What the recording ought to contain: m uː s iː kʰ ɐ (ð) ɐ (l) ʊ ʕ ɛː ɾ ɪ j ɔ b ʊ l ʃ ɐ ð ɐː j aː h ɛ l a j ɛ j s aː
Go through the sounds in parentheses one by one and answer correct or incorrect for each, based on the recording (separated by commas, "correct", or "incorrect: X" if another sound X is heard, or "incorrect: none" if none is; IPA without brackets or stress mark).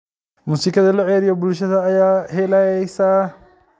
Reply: correct, correct